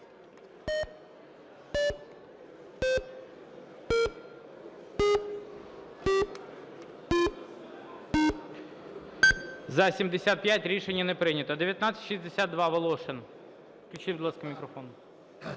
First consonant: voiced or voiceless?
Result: voiced